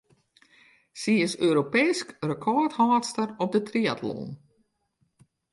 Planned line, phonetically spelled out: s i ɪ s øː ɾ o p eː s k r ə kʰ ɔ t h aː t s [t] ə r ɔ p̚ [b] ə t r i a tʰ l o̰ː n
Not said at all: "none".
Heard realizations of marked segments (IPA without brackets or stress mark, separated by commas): t, d